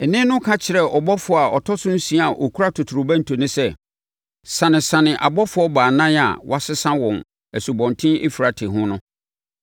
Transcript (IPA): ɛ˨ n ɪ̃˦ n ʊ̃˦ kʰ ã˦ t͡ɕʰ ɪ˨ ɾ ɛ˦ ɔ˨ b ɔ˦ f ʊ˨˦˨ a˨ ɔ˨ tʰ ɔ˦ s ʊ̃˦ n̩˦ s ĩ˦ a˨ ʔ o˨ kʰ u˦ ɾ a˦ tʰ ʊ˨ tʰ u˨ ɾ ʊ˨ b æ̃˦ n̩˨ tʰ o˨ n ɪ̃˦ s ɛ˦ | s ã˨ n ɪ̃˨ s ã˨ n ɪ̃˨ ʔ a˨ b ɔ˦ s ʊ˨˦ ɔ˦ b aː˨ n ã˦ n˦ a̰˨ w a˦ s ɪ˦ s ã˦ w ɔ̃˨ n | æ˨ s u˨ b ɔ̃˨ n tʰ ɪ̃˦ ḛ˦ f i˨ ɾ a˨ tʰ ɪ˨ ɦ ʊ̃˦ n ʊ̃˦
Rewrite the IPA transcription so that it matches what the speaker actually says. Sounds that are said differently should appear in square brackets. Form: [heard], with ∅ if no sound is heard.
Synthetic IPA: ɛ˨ n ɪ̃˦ n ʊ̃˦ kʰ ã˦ t͡ɕʰ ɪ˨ ɾ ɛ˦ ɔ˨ b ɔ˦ f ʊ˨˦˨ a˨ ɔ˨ tʰ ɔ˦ s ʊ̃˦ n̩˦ s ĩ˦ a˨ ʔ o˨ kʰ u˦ ɾ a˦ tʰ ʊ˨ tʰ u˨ ɾ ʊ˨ b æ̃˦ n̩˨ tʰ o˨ n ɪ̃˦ s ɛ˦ | s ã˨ n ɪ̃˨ s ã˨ n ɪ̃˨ ʔ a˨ b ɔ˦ [f] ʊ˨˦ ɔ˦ b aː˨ n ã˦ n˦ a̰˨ w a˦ s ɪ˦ s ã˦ w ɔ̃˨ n | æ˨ s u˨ b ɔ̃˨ n tʰ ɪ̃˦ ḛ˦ f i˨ ɾ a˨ tʰ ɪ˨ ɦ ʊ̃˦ n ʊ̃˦